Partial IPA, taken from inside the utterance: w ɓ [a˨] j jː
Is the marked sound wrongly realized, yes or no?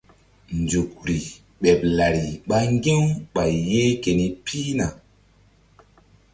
no